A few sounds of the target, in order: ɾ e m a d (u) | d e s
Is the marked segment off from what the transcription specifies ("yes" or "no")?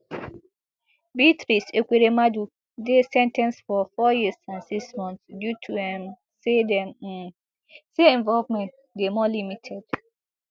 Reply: no